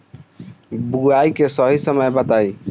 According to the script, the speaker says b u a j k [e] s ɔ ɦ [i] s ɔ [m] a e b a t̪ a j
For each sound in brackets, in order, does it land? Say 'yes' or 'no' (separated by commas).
yes, yes, yes